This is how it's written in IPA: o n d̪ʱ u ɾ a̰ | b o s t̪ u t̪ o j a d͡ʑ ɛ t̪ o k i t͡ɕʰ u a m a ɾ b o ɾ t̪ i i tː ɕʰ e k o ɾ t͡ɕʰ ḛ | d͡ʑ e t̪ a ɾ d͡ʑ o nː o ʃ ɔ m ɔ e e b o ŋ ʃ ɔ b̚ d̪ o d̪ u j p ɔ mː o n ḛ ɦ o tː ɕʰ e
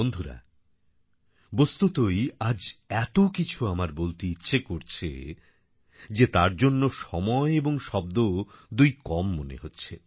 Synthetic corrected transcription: o n d̪ʱ u ɾ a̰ | b o s t̪ u t̪ o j a d͡ʑ ɛ t̪ o k i t͡ɕʰ u a m a ɾ b o l t̪ i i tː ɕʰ e k o ɾ t͡ɕʰ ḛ | d͡ʑ e t̪ a ɾ d͡ʑ o nː o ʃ ɔ m ɔ e e b o ŋ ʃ ɔ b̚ d̪ o d̪ u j k ɔ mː o n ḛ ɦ o tː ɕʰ e